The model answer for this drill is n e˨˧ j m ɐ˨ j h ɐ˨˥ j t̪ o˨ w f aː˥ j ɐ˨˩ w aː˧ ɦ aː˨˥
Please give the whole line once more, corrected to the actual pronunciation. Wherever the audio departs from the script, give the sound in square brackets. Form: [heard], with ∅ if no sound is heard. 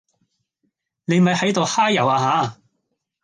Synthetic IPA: n e˨˧ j m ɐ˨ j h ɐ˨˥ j t̪ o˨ w [h] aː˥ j ɐ˨˩ w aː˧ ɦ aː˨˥